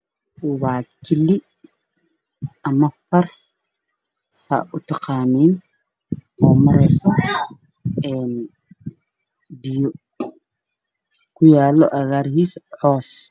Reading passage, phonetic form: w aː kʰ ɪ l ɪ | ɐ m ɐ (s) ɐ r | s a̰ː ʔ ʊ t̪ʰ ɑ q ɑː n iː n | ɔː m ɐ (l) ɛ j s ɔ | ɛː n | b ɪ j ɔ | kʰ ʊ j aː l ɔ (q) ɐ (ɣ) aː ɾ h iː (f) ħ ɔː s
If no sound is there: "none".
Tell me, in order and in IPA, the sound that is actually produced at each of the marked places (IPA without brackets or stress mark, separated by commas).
f, ɾ, ʔ, ɣ, s